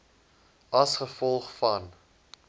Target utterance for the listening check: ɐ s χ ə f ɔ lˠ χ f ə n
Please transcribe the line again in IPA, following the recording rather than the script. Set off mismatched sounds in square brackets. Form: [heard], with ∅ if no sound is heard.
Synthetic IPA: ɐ s χ ə f ɔ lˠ χ f [ɐ] n